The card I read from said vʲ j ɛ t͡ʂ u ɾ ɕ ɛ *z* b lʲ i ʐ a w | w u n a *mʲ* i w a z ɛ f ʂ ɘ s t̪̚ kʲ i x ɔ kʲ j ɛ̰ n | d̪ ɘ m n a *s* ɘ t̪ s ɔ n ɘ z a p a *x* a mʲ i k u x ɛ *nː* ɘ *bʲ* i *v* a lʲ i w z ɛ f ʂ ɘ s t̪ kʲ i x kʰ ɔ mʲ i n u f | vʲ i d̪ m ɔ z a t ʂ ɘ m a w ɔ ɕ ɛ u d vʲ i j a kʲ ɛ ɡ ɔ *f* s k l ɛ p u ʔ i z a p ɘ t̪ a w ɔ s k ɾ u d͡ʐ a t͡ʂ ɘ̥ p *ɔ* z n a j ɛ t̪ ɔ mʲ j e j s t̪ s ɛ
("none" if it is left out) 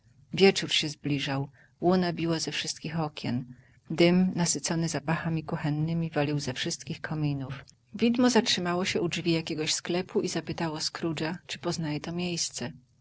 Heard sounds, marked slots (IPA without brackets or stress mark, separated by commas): z, bʲ, s, x, nː, mʲ, v, ɕ, ɔ